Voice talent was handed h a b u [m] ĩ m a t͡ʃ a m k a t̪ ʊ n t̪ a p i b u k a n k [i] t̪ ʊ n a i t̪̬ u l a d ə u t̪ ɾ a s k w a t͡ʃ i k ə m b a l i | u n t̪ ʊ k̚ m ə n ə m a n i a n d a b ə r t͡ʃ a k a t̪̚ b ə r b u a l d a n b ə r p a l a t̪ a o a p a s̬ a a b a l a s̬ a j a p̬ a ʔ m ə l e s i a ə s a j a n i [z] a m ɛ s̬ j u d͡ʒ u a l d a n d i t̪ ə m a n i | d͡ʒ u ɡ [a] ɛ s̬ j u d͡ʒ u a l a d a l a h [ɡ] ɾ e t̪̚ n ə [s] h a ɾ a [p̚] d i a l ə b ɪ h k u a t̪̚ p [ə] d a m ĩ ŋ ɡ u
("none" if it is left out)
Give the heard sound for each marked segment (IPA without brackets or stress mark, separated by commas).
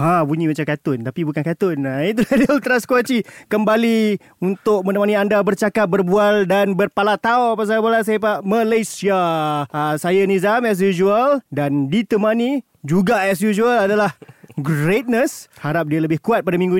ɲ, a, z, a, ɡ, s, p̚, a